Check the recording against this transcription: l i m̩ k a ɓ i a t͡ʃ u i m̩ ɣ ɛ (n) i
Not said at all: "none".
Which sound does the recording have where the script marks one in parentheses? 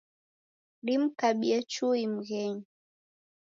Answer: ɲ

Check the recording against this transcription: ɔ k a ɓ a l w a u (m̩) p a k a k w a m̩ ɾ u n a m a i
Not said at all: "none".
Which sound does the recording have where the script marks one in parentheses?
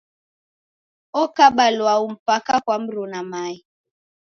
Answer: m̩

